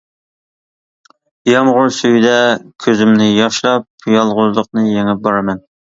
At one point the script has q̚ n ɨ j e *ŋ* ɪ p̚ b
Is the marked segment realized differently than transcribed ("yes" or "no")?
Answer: no